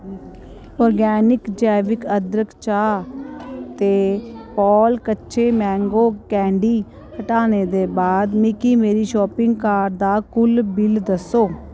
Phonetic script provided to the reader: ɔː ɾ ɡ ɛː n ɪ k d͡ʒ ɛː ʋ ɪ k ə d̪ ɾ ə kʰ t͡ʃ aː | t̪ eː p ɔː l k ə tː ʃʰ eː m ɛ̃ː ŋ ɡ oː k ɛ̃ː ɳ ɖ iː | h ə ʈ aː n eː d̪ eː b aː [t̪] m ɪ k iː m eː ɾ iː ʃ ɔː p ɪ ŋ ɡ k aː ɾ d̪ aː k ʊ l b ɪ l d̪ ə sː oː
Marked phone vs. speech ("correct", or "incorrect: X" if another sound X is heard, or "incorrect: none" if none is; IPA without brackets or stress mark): incorrect: d̪